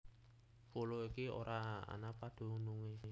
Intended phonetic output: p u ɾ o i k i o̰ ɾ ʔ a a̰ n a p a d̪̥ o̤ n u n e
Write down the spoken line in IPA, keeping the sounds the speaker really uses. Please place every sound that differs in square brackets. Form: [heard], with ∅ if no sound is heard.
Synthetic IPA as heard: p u [l] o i k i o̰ ɾ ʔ a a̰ n a p a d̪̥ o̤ n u [ŋ] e